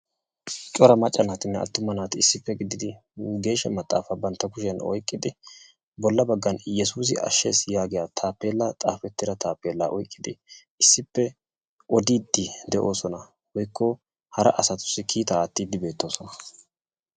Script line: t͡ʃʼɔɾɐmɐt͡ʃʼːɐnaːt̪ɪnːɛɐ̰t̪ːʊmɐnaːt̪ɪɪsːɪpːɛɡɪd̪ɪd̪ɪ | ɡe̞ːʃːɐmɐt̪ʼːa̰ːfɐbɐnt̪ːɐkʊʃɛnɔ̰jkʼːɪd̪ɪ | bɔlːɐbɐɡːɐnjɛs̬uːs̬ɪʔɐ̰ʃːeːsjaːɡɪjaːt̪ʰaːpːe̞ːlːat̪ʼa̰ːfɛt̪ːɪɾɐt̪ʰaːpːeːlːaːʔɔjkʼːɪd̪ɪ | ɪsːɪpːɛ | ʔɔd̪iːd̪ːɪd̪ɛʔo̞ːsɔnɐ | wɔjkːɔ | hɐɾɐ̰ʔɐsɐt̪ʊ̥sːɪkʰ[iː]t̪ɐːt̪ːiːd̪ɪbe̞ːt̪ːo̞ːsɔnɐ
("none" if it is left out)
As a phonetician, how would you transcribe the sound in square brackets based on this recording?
iː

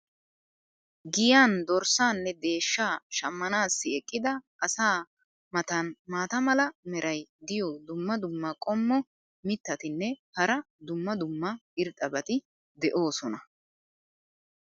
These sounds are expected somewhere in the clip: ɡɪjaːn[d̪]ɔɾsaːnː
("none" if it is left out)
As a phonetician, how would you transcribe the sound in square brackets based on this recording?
d̪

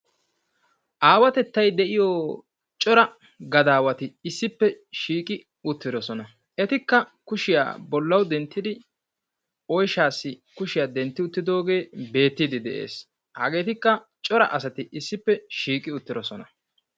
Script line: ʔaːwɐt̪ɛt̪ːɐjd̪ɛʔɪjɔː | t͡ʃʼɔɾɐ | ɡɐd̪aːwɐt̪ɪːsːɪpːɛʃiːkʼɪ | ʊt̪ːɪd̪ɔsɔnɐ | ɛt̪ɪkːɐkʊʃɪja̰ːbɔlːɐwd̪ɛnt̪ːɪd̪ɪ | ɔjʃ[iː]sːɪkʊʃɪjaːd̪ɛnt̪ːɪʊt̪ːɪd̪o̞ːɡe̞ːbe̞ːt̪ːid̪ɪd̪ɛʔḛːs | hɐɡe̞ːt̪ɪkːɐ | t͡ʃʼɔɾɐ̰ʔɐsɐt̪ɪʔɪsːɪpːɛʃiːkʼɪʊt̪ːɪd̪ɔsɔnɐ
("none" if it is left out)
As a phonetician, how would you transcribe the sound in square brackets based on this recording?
aː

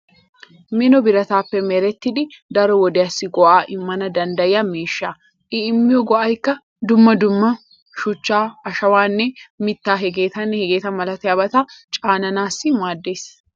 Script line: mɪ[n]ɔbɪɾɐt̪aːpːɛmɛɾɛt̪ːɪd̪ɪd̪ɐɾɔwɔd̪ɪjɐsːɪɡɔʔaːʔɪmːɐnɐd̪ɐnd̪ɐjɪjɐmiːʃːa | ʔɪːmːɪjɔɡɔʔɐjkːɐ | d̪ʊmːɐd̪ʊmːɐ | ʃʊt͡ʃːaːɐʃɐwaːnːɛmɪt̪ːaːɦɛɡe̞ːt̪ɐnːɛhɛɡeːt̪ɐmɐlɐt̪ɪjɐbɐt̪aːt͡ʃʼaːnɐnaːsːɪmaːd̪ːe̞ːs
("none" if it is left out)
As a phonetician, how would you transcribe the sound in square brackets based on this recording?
n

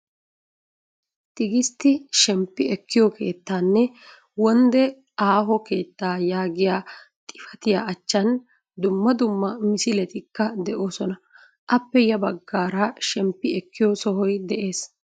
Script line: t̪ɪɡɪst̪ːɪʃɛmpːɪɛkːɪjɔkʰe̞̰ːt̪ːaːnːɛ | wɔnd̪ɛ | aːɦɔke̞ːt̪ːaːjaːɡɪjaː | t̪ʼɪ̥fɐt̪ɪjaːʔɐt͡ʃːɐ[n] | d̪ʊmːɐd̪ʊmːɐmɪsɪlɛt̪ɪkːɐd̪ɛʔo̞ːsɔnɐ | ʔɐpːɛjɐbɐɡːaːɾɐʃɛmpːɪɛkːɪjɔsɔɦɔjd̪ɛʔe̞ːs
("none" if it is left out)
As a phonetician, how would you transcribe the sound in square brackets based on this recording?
n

